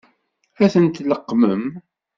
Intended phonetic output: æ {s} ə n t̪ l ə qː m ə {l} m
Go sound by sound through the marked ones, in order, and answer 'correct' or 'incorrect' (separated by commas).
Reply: incorrect, incorrect